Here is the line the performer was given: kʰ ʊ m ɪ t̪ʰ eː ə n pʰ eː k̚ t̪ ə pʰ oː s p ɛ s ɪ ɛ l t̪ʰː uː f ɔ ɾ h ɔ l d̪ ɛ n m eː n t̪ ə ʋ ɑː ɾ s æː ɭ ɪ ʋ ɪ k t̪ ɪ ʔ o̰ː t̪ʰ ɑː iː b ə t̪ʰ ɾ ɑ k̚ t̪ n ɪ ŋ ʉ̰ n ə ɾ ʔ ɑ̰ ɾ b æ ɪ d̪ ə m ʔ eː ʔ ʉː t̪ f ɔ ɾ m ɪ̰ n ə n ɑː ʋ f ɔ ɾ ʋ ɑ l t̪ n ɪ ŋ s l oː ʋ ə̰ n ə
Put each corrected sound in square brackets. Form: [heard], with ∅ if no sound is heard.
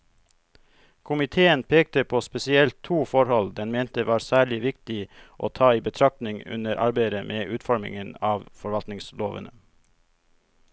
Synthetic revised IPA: kʰ ʊ m ɪ t̪ʰ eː ə n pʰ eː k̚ t̪ ə pʰ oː s p ɛ s ɪ ɛ l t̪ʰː uː f ɔ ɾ h ɔ l d̪ ɛ n m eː n t̪ ə ʋ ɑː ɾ s æː ɭ ɪ ʋ ɪ k t̪ ɪ ʔ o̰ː t̪ʰ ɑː iː b ə t̪ʰ ɾ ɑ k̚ t̪ n ɪ ŋ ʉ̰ n ə ɾ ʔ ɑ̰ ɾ b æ ɪ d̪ ə m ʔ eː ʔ ʉː t̪ f ɔ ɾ m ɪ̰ [ŋ] ə n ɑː ʋ f ɔ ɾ ʋ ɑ l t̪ n ɪ ŋ s l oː ʋ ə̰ n ə